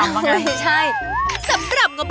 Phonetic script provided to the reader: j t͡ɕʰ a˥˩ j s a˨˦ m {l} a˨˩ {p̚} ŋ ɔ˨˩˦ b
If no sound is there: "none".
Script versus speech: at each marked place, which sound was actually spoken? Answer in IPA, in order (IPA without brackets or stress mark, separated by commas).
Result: ɾ, p̚